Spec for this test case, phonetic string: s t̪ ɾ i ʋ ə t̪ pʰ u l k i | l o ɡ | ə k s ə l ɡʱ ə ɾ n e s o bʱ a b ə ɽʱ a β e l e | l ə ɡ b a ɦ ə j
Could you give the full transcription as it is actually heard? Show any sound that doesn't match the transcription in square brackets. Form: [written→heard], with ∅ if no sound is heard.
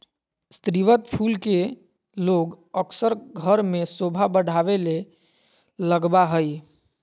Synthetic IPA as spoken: s t̪ ɾ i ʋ ə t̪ pʰ u l k [i→e] | l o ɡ | ə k s ə [l→ɾ] ɡʱ ə ɾ [n→m] e s o bʱ a b ə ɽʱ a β e l e | l ə ɡ b a ɦ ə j